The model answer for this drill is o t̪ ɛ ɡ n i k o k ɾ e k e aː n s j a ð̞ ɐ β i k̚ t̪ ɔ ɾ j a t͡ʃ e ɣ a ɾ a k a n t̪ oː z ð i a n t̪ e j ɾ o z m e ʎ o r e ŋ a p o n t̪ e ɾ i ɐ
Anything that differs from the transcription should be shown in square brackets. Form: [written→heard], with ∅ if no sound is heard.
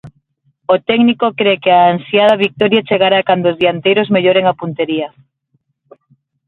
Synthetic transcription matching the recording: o t̪ ɛ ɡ n i k o k ɾ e k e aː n s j a ð̞ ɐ β i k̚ t̪ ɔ ɾ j a t͡ʃ e ɣ a ɾ a k a n [t̪→d̪] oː z ð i a n t̪ e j ɾ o z m e ʎ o [r→ɾ] e ŋ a p [o→u] n t̪ e ɾ i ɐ